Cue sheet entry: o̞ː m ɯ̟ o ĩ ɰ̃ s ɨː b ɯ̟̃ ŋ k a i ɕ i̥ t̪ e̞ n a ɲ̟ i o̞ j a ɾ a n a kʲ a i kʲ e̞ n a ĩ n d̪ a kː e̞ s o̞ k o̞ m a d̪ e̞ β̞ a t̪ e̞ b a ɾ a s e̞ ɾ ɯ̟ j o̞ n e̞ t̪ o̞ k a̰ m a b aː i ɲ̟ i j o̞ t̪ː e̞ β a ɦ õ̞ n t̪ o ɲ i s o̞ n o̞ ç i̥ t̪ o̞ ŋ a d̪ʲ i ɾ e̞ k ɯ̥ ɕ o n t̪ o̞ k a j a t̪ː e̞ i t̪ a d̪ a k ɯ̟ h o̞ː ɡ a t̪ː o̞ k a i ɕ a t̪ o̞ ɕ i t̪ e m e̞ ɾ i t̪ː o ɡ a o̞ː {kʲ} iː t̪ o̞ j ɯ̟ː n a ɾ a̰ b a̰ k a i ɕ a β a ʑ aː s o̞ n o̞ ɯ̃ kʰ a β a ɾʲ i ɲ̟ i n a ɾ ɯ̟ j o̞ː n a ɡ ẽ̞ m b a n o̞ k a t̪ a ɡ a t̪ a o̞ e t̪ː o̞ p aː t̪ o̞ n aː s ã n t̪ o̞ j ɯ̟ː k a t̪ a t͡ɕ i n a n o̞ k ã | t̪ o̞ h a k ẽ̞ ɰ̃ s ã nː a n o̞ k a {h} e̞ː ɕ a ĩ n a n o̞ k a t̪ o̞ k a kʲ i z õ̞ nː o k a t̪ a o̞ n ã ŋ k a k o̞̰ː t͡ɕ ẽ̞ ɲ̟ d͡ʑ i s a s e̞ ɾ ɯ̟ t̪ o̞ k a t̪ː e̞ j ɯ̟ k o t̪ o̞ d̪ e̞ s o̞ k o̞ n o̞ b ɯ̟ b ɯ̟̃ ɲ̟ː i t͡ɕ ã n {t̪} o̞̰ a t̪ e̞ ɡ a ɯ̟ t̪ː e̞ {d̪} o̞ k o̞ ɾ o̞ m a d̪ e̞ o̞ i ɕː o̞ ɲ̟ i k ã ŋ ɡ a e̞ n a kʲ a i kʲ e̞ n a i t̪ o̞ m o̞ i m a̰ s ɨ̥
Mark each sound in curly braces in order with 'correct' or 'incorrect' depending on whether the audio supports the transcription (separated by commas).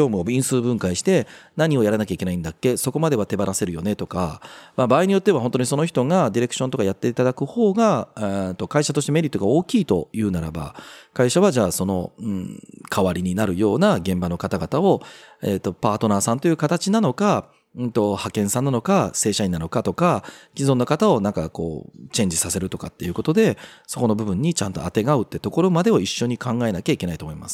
correct, incorrect, correct, incorrect